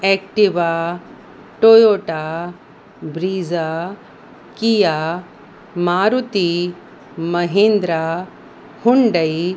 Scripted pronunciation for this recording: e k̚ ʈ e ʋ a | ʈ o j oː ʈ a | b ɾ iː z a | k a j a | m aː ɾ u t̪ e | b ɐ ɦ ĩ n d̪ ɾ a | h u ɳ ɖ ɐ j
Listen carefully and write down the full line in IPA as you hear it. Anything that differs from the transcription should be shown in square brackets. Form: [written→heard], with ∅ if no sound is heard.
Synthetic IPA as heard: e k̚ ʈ [e→i] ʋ a | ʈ o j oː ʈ a | b ɾ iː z a | k [a→i] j a | m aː ɾ u t̪ [e→i] | [b→m] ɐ ɦ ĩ n d̪ ɾ a | h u ɳ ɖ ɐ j